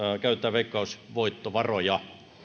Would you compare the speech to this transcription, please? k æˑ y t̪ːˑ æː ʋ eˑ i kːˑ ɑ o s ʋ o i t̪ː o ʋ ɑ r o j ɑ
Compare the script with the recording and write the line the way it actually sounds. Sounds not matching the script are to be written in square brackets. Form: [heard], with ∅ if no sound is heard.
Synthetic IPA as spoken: k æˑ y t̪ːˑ æː ʋ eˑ i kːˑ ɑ [u] s ʋ o i t̪ː o ʋ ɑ r o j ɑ